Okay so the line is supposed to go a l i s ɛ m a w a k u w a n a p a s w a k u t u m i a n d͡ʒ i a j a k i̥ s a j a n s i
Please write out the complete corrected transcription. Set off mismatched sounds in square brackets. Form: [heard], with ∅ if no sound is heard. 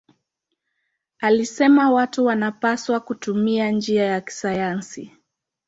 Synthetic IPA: a l i s ɛ m a w a [t] u w a n a p a s w a k u t u m i a n d͡ʒ i a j a k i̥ s a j a n s i